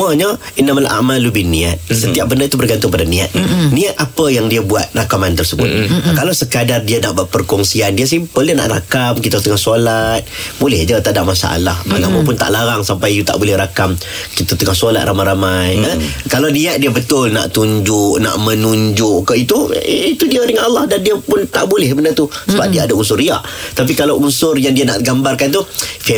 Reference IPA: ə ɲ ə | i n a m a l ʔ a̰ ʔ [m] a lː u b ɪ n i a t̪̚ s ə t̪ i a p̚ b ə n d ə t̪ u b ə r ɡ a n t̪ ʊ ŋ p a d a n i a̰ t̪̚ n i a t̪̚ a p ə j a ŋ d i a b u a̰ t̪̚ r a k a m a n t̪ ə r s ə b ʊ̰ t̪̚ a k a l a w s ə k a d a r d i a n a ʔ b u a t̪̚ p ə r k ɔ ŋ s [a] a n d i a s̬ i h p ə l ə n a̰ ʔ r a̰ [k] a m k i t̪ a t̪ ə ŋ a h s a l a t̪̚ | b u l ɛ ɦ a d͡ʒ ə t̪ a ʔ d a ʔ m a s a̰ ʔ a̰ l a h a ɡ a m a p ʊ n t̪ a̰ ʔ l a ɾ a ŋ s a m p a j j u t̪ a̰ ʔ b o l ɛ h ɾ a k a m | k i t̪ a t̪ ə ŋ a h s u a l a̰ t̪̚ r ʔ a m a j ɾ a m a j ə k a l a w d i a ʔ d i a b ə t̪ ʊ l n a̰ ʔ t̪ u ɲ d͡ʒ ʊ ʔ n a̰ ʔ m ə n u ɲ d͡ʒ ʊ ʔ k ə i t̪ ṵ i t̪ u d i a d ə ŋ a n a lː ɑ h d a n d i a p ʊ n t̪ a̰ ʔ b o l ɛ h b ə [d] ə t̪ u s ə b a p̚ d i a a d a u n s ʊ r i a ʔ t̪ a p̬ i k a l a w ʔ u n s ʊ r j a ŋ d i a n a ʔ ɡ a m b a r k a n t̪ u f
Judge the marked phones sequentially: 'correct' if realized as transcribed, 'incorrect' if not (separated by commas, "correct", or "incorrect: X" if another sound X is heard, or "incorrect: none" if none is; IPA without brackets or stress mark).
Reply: correct, incorrect: i, correct, incorrect: n